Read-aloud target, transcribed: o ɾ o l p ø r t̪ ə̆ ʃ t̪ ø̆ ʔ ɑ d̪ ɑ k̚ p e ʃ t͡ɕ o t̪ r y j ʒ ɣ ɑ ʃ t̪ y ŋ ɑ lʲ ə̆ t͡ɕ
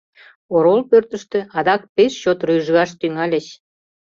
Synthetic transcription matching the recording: o ɾ o l p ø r t̪ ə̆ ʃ t̪ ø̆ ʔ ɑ d̪ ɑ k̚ p e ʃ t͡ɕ o t̪ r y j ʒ ɣ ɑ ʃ t̪ y ŋ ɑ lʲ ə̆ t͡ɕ

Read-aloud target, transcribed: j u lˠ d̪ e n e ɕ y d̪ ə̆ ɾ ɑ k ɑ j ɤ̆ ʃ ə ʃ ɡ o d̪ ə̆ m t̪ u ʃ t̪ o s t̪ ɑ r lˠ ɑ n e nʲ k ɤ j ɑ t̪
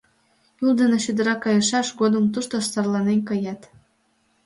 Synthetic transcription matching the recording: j u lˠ d̪ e n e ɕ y d̪ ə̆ ɾ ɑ k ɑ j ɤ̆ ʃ ɑ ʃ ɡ o d̪ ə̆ m t̪ u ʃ t̪ o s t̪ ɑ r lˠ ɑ n e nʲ k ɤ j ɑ t̪

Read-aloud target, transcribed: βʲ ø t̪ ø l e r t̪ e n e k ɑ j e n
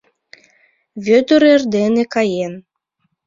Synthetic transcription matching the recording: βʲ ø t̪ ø ɾ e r d̪ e n e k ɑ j e n

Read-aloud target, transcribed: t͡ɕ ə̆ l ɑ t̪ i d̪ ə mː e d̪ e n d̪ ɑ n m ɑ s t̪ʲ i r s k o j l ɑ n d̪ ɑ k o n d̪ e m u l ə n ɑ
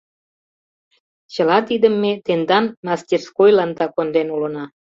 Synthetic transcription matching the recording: t͡ɕ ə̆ l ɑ t̪ i d̪ ə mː e t̪ e n d̪ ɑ n m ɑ s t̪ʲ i r s k o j l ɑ n d̪ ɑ k o n d̪ e n u l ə n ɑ

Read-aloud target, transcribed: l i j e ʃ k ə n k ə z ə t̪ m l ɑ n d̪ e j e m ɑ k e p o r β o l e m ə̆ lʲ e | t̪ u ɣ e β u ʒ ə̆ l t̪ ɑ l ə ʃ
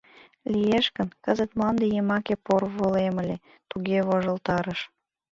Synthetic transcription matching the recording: l i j e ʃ k ə n k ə z ə t̪ m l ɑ n d̪ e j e m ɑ k e p o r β o l e m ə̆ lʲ e | t̪ u ɣ e β o ʒ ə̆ l t̪ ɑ ɾ ə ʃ

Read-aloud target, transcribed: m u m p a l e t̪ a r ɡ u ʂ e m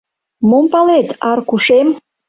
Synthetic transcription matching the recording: m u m p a l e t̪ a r k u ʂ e m

